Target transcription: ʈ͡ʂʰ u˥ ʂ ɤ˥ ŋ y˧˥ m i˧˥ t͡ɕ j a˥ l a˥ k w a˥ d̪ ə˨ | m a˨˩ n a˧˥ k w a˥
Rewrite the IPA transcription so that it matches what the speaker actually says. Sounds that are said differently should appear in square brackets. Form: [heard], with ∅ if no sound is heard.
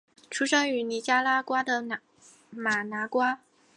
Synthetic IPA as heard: ʈ͡ʂʰ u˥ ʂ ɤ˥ ŋ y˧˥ [n] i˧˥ t͡ɕ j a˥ l a˥ k w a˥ d̪ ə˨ | m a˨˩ n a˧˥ k w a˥